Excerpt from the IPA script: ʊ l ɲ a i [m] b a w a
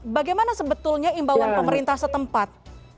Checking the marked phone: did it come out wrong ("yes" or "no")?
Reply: no